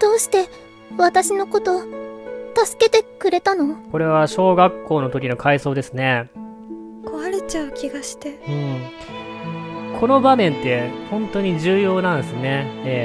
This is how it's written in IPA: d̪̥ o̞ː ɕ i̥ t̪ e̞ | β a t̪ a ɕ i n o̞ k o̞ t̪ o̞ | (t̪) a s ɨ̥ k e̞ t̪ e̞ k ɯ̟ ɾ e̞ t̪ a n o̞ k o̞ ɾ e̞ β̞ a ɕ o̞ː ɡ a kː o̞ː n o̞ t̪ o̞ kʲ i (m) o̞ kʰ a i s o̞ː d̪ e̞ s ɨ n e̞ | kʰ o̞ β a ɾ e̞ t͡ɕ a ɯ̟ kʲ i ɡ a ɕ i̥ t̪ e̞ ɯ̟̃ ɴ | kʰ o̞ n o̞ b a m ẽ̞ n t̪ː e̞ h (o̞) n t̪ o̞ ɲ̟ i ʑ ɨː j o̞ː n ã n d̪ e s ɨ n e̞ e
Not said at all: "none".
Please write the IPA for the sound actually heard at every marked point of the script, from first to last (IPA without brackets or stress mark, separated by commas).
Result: t̪, n, õ̞